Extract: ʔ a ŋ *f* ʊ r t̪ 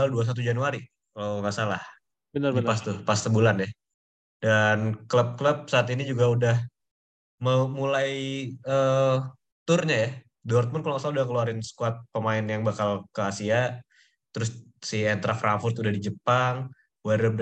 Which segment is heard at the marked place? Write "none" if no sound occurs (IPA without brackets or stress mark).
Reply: f